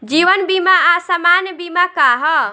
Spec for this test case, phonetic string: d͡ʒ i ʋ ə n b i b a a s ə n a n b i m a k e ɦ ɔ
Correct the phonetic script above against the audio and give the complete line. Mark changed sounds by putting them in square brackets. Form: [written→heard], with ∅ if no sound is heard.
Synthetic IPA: d͡ʒ i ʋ ə n b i [b→m] a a s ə [n→m] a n b i m a k [e→a] ɦ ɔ